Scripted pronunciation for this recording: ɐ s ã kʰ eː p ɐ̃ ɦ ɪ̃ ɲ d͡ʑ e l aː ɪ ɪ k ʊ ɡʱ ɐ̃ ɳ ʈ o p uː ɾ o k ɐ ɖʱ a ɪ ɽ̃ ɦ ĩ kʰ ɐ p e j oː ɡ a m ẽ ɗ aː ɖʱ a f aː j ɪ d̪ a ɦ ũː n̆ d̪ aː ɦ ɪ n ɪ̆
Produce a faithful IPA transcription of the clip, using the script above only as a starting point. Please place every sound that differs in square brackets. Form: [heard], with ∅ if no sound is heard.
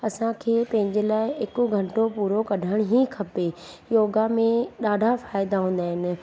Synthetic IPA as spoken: ɐ s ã kʰ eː p ɐ̃ ɦ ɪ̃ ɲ d͡ʑ e l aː ɪ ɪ k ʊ ɡʱ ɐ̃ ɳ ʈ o p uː ɾ o k ɐ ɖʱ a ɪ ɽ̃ ɦ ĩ kʰ ɐ p e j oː ɡ a m ẽ ɗ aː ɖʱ a f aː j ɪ d̪ a ɦ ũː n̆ d̪ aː ɦ ɪ n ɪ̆